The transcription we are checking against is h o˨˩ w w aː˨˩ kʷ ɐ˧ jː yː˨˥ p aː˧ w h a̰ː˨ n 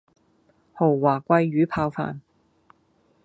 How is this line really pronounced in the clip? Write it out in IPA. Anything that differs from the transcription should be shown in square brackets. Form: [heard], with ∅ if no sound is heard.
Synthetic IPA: h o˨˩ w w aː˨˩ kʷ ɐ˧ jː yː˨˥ [pʰ] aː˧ w [f] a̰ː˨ n